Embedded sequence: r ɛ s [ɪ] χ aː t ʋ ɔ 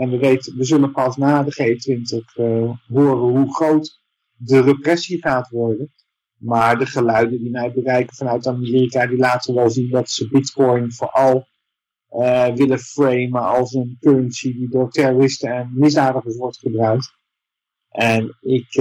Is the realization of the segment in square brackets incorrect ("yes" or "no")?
yes